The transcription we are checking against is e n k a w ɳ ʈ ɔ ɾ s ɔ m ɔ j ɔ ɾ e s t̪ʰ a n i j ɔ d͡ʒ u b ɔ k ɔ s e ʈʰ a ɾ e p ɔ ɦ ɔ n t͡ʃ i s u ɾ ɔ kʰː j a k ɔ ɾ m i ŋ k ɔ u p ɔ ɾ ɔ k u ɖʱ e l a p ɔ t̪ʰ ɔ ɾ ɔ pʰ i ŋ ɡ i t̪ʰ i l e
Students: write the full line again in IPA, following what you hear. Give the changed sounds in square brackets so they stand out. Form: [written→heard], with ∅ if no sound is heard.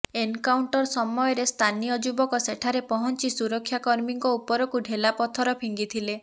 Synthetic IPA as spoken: e n k a w ɳ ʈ ɔ ɾ s ɔ m ɔ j ɔ ɾ e s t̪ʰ a n i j ɔ d͡ʒ u b ɔ k ɔ s e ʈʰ a ɾ e p ɔ ɦ ɔ n t͡ʃ i s u ɾ ɔ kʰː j a k ɔ ɾ m i ŋ k ɔ u p ɔ ɾ ɔ k u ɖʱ e l a p ɔ t̪ʰ ɔ ɾ ɔ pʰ i ŋ ɡ i t̪ʰ i l e